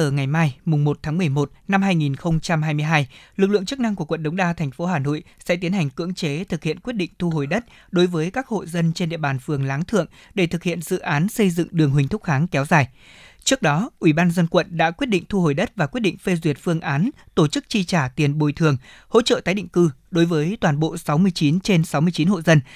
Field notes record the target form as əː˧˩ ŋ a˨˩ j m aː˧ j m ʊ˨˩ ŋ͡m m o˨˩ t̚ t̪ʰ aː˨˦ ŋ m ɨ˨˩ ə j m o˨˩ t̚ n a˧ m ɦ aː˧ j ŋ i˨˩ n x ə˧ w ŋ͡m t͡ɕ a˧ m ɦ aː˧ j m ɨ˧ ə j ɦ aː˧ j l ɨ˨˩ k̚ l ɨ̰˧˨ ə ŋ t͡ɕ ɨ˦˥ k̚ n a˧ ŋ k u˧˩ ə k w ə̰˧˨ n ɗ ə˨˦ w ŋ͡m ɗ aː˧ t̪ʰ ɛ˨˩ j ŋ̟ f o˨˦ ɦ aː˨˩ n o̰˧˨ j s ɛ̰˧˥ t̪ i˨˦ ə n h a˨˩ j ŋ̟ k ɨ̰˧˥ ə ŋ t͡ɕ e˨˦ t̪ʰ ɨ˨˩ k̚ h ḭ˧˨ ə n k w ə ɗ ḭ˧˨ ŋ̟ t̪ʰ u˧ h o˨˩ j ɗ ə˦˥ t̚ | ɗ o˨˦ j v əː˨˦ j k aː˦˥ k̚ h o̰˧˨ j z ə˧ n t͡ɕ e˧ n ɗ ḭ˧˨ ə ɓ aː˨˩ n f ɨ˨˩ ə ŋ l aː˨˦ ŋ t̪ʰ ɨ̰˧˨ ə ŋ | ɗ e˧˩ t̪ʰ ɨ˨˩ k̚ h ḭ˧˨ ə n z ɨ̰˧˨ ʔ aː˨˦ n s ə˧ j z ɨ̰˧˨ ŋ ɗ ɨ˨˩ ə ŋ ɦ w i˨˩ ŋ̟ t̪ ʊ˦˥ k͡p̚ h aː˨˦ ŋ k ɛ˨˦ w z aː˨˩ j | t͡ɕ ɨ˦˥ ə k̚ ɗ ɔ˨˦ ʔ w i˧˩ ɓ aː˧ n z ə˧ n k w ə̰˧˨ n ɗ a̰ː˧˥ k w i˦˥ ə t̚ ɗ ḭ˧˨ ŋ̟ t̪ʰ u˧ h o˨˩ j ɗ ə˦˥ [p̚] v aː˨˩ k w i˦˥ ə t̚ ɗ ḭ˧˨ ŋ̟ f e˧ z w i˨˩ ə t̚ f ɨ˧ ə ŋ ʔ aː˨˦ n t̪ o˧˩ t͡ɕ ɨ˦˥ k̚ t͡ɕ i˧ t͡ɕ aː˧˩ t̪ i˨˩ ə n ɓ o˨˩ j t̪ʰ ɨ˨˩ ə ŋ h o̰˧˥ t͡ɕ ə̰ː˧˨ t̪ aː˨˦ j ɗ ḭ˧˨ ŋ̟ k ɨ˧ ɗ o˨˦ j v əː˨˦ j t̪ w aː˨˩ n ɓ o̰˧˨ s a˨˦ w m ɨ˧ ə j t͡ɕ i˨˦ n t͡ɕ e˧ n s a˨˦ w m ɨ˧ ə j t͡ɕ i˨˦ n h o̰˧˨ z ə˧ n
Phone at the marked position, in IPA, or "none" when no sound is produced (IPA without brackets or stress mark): t̚